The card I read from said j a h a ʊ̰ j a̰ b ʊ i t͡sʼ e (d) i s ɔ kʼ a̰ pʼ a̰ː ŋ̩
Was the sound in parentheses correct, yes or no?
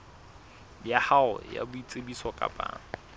no